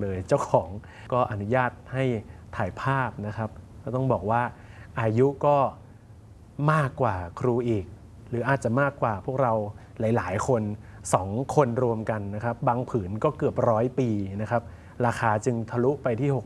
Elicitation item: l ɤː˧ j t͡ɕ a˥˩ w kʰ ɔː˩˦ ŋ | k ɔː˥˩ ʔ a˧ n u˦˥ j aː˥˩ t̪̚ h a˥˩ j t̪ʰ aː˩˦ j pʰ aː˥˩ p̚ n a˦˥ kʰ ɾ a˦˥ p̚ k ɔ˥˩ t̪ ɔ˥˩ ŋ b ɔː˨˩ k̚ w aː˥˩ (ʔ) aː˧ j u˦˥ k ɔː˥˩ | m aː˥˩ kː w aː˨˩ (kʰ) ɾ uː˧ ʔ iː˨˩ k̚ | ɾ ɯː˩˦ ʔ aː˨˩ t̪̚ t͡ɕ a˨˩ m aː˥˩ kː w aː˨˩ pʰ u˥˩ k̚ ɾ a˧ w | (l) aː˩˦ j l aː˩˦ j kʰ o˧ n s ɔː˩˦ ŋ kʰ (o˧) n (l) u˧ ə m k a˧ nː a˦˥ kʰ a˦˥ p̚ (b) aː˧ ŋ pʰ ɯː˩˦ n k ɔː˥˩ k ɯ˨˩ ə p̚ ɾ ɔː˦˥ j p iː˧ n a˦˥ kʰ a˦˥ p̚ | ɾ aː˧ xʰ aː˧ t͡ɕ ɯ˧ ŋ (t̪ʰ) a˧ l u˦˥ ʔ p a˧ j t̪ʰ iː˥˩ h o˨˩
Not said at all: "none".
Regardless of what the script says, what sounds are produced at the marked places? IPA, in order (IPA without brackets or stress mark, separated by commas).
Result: ʔ, kʰ, l, o˧, ɾ, b, t̪ʰ